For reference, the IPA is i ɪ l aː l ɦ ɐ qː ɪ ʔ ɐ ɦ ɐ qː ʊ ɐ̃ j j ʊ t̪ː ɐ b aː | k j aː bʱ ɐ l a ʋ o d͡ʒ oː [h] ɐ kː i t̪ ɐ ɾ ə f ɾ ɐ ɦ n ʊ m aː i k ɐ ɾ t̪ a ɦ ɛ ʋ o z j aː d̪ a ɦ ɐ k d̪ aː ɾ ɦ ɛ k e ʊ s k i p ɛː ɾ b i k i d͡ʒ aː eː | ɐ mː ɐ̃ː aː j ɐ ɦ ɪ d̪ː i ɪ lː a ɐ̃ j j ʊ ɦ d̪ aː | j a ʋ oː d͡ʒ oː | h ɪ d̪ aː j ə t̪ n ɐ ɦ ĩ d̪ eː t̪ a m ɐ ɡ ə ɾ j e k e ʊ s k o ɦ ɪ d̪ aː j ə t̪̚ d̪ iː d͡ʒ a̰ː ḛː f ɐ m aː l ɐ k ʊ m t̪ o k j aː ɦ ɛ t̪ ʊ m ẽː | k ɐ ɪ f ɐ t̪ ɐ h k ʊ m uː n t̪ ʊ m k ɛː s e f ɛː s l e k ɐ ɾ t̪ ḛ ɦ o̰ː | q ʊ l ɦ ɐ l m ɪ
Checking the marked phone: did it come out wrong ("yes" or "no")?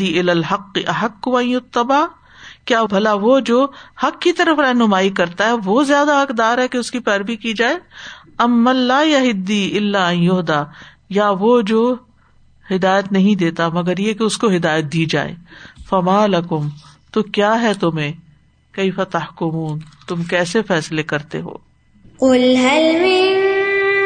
no